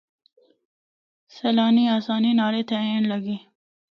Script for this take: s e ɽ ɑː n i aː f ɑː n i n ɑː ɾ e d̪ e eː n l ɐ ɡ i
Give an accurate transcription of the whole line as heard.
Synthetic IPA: s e l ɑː n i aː s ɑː n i n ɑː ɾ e t̪ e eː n l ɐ ɡ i